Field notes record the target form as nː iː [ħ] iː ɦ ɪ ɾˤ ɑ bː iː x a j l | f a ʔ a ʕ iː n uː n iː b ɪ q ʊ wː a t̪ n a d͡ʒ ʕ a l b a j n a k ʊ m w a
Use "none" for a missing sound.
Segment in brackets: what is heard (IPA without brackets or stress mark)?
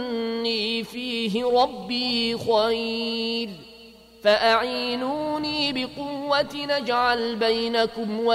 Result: f